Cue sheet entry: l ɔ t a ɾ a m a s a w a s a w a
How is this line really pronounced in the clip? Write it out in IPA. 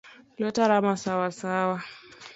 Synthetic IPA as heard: l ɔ t a ɾ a m a s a w a s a w a